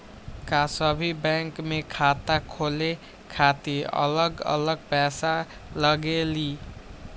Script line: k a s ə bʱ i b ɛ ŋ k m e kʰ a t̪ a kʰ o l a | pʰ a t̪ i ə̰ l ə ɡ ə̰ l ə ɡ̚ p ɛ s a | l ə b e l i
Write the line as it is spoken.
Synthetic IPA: k a s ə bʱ i b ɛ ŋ k m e kʰ a t̪ a kʰ o l e | kʰ a t̪ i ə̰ l ə ɡ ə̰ l ə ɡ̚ p ɛ s a | l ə ɡ e l i